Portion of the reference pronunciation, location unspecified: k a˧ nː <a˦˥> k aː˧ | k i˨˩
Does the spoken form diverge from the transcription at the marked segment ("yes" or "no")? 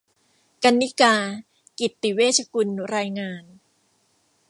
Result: yes